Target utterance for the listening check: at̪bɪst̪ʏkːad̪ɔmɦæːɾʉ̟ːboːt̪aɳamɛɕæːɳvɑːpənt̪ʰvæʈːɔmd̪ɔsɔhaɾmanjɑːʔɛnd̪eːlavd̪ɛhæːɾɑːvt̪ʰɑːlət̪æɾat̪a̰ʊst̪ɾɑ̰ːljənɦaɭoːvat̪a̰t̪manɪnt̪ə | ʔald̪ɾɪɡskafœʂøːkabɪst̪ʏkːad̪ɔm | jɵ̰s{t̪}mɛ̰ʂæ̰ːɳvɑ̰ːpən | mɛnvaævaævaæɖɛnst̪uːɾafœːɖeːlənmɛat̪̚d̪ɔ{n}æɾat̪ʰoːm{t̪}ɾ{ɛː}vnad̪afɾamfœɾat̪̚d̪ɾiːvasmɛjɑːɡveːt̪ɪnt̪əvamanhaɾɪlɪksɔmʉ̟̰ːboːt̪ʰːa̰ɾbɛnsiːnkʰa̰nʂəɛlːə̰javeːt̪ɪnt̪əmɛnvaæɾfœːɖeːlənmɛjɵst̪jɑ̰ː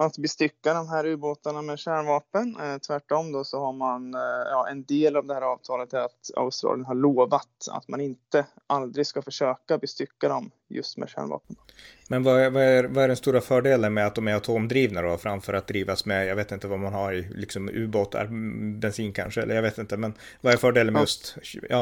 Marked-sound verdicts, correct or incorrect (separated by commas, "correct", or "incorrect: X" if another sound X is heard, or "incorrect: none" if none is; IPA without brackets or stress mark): correct, incorrect: m, incorrect: d̪, incorrect: iː